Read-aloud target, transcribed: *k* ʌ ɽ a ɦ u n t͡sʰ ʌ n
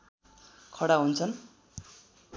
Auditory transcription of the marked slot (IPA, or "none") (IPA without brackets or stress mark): kʰ